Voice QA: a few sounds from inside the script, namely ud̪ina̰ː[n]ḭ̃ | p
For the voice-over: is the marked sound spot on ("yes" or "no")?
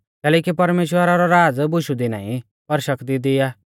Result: no